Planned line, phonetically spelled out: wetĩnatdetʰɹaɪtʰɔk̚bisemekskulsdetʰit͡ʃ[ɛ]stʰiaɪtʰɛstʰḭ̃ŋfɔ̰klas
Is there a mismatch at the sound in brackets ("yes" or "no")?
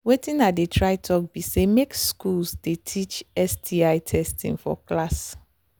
no